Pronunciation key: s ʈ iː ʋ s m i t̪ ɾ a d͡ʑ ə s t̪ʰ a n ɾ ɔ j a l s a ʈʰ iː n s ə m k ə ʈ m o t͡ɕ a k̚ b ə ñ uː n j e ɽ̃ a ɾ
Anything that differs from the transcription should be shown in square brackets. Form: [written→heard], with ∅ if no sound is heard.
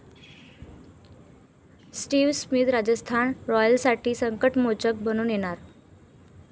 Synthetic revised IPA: s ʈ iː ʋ s m i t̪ ɾ a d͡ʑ ə s t̪ʰ a n ɾ ɔ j [a→ə] l s a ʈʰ iː [n→∅] s ə [m→ŋ] k ə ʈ m o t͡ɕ [a→ə] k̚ b ə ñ uː n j e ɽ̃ a ɾ